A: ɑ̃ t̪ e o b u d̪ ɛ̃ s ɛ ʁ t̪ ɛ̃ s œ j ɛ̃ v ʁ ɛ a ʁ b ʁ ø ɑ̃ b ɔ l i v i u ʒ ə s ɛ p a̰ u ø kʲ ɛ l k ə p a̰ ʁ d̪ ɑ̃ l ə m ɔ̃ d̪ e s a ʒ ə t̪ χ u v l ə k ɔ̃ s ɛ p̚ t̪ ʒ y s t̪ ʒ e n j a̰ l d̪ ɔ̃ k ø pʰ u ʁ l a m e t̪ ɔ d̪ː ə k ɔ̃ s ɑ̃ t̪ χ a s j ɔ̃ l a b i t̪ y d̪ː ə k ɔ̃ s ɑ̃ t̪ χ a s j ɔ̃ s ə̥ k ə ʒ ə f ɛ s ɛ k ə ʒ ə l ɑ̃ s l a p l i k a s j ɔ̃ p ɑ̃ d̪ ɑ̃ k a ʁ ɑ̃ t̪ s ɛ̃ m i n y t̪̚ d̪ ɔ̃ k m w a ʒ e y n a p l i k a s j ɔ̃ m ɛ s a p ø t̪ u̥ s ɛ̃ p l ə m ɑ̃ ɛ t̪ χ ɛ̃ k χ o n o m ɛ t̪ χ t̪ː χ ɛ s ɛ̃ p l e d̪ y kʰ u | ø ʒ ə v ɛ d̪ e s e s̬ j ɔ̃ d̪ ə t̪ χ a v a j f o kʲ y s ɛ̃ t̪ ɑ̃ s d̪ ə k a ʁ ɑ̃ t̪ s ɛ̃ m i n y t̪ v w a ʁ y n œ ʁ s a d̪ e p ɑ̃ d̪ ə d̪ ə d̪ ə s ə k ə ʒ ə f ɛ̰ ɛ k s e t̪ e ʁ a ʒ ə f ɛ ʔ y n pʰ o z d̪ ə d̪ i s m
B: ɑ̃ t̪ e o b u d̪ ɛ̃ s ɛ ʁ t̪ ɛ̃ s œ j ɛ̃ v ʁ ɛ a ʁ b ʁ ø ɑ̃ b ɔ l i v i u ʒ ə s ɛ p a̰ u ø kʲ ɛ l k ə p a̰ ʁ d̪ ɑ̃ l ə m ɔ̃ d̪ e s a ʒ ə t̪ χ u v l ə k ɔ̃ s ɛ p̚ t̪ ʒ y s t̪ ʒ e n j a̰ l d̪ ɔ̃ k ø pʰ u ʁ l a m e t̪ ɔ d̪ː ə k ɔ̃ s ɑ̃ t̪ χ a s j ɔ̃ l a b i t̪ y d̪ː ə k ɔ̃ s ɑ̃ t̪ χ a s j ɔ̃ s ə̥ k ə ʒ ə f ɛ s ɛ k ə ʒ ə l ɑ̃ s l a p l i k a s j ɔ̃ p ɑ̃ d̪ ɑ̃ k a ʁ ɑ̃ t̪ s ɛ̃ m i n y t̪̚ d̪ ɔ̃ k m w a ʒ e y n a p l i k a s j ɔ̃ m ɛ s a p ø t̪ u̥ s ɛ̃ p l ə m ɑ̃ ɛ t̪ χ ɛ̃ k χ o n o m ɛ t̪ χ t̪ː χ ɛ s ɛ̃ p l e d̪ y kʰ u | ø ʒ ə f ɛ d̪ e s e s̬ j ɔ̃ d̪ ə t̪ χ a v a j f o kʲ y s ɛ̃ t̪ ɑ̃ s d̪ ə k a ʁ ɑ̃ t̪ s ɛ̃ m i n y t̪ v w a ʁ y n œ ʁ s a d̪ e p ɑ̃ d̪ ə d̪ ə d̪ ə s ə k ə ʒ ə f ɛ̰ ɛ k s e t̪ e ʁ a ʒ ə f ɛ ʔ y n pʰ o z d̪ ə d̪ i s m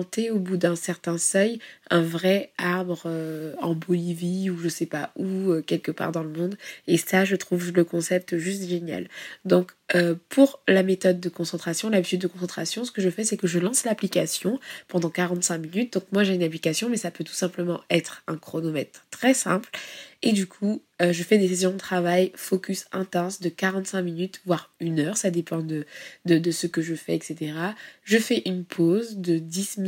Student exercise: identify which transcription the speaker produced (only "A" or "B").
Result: B